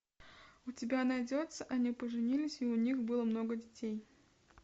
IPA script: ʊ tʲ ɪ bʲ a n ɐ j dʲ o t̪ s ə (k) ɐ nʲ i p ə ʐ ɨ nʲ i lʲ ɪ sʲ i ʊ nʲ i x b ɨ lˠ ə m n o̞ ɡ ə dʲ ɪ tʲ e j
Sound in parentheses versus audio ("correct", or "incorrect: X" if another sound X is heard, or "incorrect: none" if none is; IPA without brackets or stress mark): incorrect: ʔ